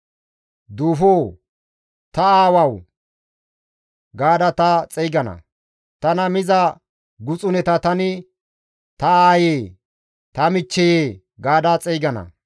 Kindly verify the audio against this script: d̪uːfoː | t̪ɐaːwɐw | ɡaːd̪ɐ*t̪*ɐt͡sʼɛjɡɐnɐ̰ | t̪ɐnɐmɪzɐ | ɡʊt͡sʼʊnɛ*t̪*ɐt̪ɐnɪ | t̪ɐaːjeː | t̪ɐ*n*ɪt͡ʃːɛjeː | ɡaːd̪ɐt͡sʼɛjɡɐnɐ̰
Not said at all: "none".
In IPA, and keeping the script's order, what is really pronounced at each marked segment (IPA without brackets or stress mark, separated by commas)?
t̪, t̪, m